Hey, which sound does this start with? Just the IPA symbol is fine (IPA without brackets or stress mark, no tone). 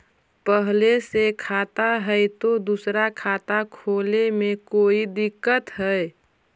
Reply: p